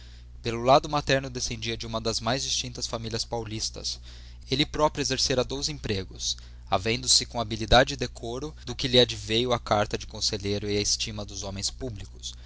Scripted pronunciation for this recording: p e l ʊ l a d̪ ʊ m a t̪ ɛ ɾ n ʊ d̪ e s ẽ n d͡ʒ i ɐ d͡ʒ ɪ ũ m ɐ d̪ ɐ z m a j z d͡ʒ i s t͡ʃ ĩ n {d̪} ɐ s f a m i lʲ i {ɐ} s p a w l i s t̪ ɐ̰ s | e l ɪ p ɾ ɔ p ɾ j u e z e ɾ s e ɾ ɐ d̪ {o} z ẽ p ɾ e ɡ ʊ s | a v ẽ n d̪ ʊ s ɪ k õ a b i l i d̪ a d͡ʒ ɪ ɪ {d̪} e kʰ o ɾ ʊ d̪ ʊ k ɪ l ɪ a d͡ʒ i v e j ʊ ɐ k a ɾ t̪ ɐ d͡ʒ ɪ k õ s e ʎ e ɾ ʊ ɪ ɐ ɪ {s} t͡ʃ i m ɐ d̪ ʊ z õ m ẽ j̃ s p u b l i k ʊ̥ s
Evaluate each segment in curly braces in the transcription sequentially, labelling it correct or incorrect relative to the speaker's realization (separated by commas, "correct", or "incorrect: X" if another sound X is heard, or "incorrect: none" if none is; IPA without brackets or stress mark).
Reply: incorrect: t̪, correct, correct, correct, correct